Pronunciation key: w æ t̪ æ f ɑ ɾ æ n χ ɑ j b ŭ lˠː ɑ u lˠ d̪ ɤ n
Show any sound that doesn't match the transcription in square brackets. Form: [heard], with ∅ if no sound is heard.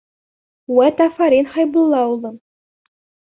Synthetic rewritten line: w æ t̪ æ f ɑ ɾ [i] n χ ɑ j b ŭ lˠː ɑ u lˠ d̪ ɤ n